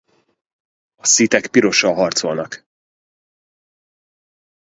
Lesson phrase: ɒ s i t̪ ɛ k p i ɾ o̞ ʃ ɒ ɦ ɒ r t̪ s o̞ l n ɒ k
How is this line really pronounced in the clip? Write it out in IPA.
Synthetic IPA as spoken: ɒ s i t̪ ɛ k p i ɾ o̞ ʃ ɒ ɦ ɒ r t̪ s o̞ l n ɒ k